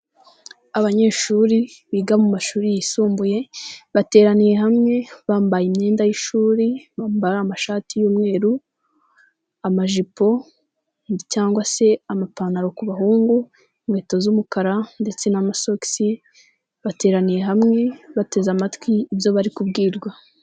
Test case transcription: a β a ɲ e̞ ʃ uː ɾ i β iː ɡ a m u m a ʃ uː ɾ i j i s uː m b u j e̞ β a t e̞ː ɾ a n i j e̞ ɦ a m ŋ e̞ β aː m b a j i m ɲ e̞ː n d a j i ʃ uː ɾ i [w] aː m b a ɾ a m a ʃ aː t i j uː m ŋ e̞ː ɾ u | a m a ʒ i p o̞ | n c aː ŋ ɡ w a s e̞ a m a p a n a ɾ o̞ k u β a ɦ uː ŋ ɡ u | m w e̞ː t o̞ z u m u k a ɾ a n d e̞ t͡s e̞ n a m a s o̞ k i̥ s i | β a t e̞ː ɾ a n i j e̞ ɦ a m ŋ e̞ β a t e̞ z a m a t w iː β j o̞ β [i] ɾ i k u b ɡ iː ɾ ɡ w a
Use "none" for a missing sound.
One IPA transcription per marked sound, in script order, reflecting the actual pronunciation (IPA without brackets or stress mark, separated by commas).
β, a